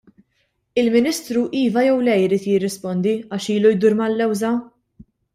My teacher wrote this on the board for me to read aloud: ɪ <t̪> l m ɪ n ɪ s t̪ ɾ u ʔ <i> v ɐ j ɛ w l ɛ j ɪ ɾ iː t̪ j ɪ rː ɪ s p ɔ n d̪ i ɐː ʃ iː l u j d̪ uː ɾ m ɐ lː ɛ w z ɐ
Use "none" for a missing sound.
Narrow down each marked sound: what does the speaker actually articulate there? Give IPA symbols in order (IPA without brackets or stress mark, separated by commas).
none, iː